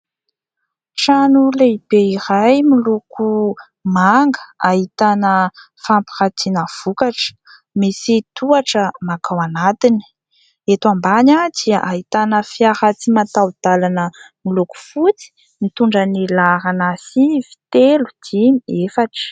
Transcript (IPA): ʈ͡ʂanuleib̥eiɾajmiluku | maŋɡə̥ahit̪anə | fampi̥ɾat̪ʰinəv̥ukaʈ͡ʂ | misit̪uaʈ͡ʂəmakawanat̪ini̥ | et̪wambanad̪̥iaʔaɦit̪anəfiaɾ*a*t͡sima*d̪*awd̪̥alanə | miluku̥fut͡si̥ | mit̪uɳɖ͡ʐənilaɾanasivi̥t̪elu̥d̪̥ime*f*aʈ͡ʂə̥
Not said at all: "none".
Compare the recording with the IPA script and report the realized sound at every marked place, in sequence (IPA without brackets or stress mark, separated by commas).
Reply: a, t̪, f